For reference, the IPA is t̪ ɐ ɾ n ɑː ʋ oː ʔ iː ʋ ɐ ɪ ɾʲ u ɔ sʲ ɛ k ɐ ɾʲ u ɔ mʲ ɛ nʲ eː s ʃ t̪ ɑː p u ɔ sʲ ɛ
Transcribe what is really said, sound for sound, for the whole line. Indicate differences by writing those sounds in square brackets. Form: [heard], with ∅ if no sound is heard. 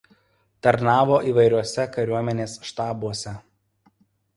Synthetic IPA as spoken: t̪ ɐ ɾ n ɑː ʋ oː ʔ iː ʋ ɐ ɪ ɾʲ u ɔ sʲ ɛ k ɐ ɾʲ u ɔ mʲ ɛ nʲ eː s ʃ t̪ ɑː [b] u ɔ sʲ ɛ